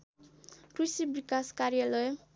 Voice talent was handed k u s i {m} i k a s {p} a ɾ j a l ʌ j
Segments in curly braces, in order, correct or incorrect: incorrect: b, incorrect: k

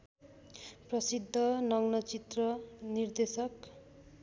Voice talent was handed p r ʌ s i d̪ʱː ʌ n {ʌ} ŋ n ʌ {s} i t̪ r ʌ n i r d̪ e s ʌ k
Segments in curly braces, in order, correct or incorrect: correct, incorrect: t͡s

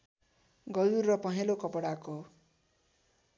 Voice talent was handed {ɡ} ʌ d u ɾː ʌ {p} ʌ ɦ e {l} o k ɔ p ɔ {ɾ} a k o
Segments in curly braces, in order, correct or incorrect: correct, correct, correct, incorrect: ɽ

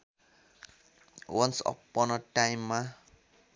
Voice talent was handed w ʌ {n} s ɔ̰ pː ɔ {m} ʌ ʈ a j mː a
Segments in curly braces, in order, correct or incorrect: correct, incorrect: n

